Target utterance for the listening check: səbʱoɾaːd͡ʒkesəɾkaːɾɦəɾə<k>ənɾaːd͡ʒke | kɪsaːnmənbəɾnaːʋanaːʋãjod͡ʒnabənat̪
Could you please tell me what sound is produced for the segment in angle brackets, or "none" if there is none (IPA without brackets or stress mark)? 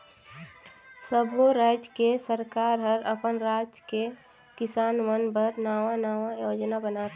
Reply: p